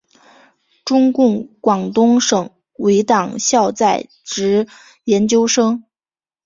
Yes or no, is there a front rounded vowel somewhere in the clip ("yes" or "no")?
no